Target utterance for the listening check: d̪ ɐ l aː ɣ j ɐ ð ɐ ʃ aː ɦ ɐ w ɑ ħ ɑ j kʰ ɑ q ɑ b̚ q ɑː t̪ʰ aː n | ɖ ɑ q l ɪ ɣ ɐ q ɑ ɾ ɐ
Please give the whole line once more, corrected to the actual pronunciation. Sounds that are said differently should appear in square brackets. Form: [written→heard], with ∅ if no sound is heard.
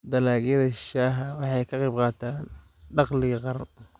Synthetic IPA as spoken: d̪ ɐ l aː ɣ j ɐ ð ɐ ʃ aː ɦ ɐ w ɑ ħ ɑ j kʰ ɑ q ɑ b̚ q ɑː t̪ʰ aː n | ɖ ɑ q l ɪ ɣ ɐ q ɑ ɾ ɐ